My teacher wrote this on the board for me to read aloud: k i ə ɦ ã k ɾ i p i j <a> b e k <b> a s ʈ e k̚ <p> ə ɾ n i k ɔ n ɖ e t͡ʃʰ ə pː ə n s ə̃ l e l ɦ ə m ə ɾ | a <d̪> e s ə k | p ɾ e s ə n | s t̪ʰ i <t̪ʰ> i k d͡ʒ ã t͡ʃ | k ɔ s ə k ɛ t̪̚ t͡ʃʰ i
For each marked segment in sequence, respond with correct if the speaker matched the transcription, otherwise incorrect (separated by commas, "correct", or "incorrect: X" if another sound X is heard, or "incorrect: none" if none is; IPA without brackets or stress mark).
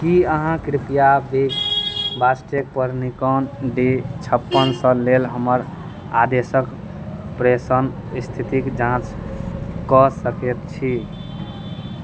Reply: correct, correct, correct, correct, incorrect: t̪